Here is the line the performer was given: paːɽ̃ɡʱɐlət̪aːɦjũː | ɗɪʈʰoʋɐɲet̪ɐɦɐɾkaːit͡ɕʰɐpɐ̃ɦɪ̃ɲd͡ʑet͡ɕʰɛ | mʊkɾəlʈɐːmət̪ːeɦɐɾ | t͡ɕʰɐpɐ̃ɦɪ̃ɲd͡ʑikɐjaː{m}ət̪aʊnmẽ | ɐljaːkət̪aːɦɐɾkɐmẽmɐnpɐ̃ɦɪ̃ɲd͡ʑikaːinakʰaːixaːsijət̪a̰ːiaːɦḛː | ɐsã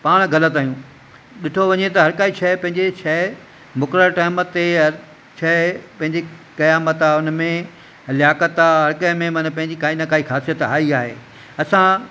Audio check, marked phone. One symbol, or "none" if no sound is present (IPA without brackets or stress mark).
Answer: m